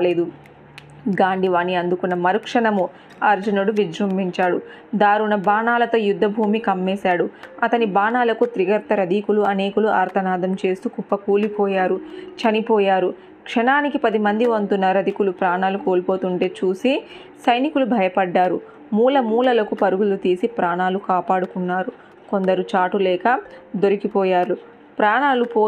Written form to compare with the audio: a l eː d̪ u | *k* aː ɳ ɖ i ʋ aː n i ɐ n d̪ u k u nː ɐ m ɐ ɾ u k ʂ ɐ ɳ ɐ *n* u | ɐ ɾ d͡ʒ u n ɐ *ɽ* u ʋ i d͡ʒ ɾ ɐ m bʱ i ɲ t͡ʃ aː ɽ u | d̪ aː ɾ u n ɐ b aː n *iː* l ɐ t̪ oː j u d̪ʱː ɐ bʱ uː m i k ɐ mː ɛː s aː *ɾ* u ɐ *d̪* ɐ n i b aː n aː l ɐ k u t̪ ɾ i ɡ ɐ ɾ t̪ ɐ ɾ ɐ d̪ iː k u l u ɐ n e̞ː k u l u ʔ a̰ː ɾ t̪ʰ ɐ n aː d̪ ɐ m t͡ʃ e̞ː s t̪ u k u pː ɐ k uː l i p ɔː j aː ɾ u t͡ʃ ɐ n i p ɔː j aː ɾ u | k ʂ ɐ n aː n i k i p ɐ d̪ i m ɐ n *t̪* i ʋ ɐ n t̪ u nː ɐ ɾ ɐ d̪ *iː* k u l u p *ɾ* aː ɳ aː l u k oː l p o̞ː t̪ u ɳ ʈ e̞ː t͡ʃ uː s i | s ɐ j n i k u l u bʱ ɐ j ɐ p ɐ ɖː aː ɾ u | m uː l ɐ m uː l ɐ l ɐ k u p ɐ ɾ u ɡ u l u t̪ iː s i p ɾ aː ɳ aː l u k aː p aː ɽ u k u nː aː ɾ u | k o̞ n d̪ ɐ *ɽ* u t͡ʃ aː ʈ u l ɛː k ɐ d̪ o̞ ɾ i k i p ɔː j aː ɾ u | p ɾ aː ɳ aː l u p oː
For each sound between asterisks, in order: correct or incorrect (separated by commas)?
incorrect, incorrect, correct, incorrect, incorrect, incorrect, incorrect, incorrect, correct, incorrect